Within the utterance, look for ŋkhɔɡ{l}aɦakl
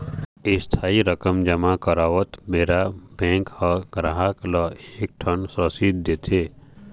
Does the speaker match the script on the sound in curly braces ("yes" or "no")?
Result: no